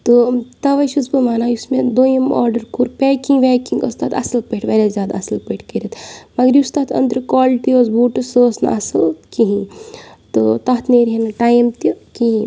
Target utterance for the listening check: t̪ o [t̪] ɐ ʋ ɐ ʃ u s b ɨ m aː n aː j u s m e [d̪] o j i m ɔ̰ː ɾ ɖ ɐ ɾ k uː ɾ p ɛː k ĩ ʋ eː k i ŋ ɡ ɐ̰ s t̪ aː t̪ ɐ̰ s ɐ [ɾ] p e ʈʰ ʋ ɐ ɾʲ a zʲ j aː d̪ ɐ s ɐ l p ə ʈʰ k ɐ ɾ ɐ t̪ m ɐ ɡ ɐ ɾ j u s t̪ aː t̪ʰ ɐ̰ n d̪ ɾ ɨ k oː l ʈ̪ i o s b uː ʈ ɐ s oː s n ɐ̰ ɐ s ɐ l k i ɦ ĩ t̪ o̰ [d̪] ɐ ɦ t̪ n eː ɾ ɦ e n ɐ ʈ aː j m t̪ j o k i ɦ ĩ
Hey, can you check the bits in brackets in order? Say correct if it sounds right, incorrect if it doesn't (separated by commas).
correct, correct, incorrect, incorrect